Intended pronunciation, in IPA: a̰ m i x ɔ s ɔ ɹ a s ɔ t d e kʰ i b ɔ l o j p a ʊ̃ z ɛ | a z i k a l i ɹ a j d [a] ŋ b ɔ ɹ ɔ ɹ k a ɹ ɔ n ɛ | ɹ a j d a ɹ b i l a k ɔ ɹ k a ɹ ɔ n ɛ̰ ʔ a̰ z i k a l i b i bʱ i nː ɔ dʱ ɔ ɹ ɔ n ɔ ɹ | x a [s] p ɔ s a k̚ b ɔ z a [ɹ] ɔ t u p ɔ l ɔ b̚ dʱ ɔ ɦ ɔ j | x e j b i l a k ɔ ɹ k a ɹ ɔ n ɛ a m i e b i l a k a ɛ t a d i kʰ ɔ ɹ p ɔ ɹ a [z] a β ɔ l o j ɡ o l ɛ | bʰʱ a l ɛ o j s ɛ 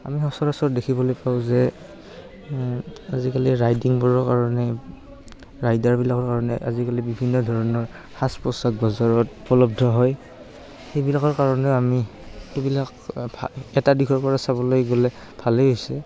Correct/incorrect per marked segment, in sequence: incorrect, correct, correct, incorrect

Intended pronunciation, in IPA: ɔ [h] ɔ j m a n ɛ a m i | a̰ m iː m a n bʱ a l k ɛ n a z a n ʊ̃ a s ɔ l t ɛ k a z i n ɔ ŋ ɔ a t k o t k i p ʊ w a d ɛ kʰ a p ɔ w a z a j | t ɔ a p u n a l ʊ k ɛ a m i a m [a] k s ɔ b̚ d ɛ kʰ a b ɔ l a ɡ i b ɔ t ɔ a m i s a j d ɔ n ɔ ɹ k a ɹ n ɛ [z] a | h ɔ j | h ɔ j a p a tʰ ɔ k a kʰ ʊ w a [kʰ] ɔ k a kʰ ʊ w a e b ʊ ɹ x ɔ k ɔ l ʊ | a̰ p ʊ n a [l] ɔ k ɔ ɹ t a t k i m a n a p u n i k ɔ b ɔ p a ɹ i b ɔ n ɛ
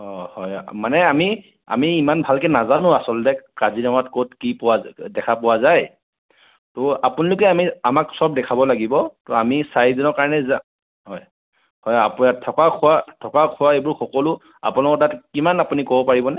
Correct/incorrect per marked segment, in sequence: correct, correct, correct, incorrect, correct

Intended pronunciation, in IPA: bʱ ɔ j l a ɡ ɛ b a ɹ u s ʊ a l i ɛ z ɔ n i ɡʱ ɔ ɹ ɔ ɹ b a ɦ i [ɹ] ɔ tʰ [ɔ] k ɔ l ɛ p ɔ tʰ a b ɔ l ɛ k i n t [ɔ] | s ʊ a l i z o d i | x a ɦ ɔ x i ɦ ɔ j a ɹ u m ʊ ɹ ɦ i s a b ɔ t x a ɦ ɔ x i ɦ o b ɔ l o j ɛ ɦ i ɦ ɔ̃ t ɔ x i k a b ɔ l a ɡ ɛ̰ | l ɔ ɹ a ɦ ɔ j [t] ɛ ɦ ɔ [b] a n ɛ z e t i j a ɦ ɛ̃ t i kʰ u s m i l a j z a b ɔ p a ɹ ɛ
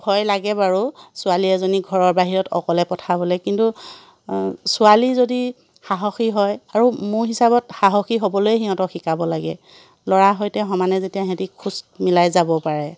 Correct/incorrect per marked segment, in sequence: correct, correct, incorrect, correct, incorrect

